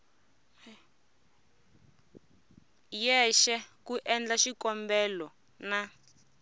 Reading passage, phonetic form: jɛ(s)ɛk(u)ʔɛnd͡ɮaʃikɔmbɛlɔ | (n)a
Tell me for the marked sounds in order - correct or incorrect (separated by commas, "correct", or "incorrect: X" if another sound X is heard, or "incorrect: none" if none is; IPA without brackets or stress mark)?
incorrect: ʃ, correct, correct